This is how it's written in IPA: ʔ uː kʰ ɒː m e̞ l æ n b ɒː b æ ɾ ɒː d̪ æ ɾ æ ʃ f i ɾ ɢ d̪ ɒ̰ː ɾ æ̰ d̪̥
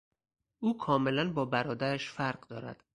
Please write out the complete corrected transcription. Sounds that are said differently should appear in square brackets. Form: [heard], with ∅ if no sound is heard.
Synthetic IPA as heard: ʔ uː kʰ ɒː m e̞ l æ n b ɒː b æ ɾ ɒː d̪ æ ɾ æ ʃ f [æ] ɾ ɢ d̪ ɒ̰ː ɾ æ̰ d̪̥